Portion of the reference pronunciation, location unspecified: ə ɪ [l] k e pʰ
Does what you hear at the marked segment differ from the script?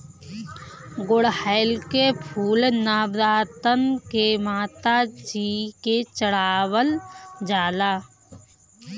no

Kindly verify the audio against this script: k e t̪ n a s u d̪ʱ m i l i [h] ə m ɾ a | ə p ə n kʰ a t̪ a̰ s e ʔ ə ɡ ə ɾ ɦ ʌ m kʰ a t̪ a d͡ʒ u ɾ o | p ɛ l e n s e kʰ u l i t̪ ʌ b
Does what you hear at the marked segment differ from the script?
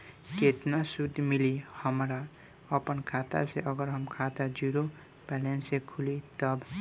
no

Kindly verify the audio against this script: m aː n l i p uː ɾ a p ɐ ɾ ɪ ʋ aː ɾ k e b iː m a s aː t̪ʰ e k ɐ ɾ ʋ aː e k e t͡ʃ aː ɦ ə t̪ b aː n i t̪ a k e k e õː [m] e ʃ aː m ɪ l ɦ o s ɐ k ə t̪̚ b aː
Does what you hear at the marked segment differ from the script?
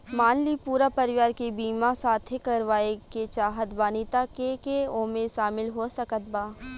no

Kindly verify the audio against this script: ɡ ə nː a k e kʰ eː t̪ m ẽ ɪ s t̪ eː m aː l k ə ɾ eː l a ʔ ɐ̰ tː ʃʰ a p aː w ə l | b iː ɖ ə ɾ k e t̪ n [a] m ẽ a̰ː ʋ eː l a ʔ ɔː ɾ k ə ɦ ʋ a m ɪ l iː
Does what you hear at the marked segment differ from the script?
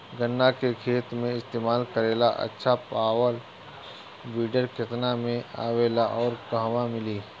no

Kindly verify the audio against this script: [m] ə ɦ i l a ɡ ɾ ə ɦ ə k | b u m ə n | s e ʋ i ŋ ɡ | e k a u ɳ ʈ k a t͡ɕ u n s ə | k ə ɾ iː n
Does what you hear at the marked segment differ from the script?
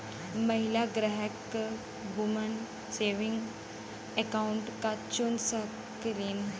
no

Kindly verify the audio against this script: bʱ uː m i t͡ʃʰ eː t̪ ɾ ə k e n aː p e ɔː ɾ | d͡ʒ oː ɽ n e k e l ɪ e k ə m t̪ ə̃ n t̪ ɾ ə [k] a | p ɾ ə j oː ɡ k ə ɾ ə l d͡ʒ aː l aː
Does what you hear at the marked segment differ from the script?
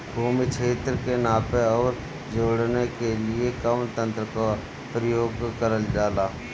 no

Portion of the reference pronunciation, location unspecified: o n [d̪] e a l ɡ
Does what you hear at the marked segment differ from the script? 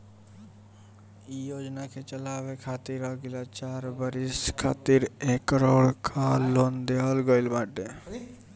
no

